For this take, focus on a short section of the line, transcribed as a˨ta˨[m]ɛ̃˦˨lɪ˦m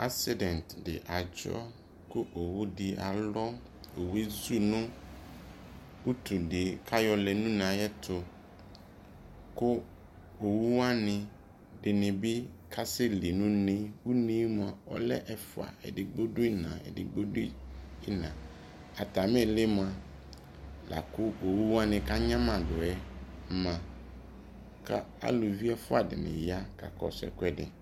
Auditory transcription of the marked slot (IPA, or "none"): m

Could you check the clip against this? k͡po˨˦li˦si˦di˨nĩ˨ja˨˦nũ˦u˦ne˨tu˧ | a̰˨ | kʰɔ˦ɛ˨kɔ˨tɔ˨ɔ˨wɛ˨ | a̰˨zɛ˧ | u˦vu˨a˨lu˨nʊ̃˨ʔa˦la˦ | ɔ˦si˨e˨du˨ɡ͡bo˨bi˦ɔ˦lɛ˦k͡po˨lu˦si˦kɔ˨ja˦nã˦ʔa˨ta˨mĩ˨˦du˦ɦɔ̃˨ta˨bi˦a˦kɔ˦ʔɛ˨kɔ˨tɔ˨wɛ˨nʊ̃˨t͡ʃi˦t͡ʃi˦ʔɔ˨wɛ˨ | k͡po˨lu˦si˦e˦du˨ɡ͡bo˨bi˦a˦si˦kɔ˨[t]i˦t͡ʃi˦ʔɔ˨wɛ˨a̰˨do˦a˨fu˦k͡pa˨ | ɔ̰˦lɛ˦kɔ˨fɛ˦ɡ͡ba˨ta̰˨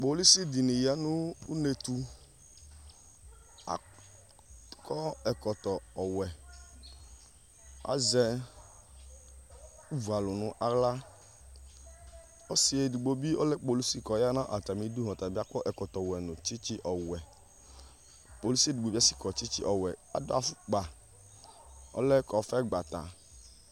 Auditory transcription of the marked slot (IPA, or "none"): t͡ʃ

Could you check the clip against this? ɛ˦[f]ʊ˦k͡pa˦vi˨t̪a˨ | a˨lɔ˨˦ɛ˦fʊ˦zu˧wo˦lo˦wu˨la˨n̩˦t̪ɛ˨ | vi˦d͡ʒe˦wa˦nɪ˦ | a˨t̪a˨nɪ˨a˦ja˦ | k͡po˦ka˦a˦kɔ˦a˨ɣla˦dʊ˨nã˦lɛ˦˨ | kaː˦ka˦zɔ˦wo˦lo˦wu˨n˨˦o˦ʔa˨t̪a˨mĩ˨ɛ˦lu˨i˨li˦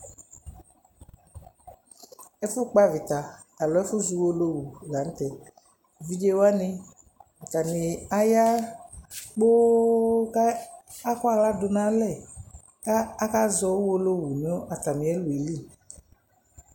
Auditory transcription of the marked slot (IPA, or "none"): f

